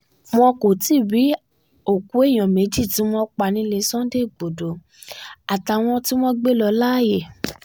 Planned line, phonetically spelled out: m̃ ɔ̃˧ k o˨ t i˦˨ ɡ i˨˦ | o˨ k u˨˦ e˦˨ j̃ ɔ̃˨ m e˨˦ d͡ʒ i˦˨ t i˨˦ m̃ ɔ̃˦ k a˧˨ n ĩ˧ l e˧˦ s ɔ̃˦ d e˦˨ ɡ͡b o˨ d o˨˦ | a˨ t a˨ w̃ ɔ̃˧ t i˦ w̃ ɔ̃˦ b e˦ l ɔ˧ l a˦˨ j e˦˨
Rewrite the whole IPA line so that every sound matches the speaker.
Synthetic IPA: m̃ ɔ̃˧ k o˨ t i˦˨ b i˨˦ | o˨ k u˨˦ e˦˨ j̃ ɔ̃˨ m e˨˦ d͡ʒ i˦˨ t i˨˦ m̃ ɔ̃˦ k͡p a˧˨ n ĩ˧ l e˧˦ s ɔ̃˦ d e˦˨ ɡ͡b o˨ d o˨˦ | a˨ t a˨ w̃ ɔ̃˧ t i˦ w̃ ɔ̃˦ ɡ͡b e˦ l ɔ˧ l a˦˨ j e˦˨